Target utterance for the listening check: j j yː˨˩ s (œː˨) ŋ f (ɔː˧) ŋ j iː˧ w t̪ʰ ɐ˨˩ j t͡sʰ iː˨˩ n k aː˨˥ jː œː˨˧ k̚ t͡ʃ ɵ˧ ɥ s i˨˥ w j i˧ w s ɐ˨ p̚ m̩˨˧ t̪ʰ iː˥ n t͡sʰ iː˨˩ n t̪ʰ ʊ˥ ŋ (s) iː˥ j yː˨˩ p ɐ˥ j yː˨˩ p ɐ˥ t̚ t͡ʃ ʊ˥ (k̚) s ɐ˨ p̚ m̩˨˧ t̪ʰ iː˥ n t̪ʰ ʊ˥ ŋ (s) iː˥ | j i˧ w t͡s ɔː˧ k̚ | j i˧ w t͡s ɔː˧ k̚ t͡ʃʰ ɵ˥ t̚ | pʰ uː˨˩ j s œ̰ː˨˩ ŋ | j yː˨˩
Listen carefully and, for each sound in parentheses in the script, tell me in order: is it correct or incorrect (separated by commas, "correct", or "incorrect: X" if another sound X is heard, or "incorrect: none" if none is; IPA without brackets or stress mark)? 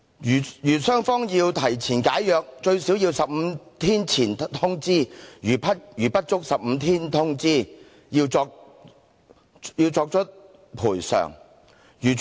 incorrect: œː˥, incorrect: ɔː˥, incorrect: t͡s, correct, incorrect: t͡s